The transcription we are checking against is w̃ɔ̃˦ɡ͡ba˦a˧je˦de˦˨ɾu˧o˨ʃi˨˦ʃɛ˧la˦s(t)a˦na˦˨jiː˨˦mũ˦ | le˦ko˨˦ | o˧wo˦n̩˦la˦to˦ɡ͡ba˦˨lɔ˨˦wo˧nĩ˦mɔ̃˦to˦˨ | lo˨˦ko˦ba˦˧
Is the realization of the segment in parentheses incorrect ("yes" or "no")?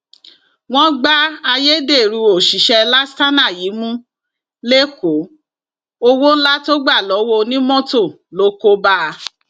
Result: no